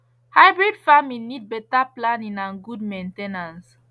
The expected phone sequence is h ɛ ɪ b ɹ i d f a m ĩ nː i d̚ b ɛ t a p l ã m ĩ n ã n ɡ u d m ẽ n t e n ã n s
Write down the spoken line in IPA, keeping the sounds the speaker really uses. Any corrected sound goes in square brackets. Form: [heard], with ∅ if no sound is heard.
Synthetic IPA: h [a] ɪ b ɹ i d f a m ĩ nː i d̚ b ɛ t a p l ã [n] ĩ n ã n ɡ u d m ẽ n t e n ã n s